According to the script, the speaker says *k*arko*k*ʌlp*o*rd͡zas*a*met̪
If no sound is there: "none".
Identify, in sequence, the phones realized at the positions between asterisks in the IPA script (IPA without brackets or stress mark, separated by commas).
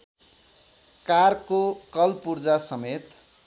k, k, u, ʌ